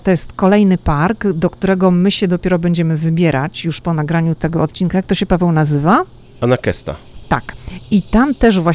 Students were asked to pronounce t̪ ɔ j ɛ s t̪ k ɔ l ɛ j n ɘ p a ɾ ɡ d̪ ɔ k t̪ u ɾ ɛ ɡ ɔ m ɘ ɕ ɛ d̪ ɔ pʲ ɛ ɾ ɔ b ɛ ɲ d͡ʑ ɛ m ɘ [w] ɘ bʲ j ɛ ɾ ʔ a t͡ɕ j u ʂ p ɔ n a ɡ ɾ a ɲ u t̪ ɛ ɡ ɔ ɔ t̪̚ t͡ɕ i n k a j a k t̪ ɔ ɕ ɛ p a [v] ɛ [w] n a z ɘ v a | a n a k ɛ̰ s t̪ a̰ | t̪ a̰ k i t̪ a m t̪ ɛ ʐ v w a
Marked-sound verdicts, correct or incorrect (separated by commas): incorrect, correct, correct